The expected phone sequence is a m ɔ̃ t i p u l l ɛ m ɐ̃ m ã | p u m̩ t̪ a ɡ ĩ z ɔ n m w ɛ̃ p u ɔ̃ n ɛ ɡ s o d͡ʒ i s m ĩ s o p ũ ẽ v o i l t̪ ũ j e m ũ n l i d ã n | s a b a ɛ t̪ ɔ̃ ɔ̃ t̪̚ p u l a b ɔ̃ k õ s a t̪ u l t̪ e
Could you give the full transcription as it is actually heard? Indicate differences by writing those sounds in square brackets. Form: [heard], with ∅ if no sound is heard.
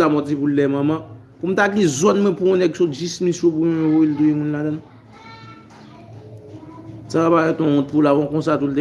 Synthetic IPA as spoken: a m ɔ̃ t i p u l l ɛ m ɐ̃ m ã | p u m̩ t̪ a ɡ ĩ z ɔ n m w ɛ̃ p u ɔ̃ n ɛ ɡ s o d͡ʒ i s m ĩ s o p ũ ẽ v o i l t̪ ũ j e m ũ n l [a] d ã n | s a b a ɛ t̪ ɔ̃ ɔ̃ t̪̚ p u l a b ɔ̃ k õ s a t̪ u l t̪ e